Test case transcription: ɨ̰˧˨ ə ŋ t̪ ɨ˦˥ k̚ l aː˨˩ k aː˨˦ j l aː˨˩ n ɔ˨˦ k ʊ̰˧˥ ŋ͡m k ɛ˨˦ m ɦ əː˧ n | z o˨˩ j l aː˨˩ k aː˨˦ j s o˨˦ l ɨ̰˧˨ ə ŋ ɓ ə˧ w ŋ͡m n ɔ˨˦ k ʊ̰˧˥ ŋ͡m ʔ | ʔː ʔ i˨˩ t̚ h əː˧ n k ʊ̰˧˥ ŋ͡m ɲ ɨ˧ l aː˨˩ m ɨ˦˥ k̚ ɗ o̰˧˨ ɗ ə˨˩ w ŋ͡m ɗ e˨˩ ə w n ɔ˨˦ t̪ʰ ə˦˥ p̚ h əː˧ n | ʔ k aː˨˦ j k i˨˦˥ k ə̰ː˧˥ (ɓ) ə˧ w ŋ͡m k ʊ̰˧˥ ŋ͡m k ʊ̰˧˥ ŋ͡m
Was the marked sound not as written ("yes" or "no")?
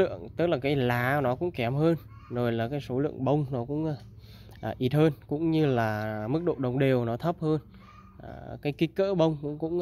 no